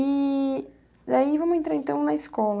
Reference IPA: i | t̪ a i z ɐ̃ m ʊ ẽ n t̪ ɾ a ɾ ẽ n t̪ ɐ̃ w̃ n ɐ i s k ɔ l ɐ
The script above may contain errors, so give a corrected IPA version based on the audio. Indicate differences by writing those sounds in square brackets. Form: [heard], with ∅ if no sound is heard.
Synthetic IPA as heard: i | [d̪] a i [v] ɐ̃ m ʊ ẽ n t̪ ɾ a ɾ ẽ n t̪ ɐ̃ w̃ n ɐ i s k ɔ l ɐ